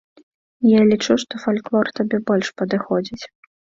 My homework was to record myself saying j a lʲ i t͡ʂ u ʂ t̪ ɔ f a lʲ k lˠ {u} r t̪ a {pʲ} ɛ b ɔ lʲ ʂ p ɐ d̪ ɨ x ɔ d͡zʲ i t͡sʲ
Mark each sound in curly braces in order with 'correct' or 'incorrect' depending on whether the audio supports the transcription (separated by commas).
incorrect, incorrect